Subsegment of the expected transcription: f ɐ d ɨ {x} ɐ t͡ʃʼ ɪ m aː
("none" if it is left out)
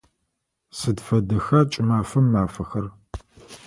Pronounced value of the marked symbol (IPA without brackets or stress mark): x